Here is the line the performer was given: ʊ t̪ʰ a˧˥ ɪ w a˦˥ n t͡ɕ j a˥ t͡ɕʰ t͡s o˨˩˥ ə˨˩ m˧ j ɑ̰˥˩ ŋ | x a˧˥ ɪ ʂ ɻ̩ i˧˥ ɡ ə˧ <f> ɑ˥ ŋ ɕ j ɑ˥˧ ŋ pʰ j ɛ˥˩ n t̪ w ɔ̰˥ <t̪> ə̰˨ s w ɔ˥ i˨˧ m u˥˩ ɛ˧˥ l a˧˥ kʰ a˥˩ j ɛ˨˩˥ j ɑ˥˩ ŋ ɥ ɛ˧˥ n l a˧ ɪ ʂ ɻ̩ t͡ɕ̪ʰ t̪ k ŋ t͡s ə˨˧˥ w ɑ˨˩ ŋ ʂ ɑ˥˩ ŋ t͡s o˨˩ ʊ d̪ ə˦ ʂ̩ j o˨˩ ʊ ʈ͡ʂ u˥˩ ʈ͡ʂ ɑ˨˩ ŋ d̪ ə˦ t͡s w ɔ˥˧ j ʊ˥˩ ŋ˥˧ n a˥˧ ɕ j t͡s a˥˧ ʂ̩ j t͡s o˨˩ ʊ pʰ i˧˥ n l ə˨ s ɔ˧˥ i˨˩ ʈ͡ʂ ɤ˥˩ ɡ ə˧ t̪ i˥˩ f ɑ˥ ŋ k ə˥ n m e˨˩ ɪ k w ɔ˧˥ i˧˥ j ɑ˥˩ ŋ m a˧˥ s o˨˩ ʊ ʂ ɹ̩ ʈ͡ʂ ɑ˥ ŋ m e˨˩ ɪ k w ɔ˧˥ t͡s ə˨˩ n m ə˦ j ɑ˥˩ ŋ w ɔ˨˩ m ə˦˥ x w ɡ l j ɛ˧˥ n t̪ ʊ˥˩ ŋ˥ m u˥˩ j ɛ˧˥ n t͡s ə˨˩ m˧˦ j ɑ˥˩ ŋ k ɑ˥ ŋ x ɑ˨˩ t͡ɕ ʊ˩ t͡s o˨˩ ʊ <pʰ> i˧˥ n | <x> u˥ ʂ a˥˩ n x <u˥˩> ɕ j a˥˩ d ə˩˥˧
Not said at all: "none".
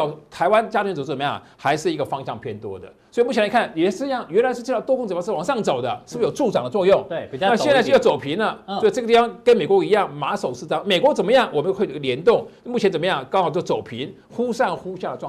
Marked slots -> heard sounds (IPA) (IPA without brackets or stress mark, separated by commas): f, d̪, pʰ, x, u˥